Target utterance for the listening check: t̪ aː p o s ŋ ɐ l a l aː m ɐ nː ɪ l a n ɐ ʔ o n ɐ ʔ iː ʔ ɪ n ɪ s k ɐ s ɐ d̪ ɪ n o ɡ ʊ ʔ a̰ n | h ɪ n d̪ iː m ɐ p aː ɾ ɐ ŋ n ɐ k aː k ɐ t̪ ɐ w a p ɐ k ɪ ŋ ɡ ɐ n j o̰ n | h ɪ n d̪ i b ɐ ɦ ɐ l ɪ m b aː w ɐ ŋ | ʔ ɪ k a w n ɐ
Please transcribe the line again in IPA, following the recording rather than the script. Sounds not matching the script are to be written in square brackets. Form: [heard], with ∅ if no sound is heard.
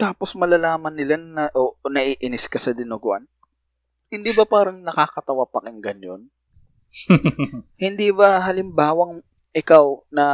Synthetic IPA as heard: t̪ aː p o s [m] ɐ l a l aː m ɐ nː ɪ l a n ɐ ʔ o n ɐ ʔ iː ʔ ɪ n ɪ s k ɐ s ɐ d̪ ɪ n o ɡ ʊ ʔ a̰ n | h ɪ n d̪ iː [b] ɐ p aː ɾ ɐ ŋ n ɐ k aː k ɐ t̪ ɐ w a p ɐ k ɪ ŋ ɡ ɐ n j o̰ n | h ɪ n d̪ i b ɐ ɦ ɐ l ɪ m b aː w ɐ ŋ | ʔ ɪ k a w n ɐ